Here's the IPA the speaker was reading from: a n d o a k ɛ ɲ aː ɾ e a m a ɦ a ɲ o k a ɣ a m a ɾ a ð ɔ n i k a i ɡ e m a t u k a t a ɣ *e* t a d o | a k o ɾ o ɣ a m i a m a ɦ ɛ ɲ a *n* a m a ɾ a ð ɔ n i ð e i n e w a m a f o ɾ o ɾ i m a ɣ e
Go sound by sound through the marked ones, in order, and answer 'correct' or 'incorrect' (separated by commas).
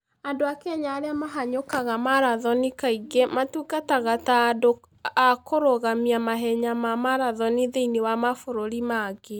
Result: incorrect, incorrect